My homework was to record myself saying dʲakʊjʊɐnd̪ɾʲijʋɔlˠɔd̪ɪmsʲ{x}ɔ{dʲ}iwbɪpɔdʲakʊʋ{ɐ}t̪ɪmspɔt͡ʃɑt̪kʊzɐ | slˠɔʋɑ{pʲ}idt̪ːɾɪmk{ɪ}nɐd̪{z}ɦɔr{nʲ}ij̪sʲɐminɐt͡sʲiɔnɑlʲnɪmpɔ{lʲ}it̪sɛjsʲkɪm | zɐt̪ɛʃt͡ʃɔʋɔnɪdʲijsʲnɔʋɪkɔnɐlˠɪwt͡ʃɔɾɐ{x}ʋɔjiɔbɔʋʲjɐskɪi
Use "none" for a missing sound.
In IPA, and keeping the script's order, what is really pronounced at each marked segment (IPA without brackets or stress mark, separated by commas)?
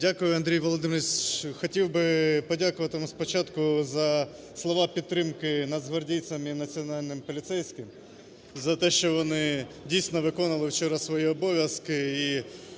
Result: x, tʲ, ɐ, pʲ, ɪ, z, dʲ, lʲ, s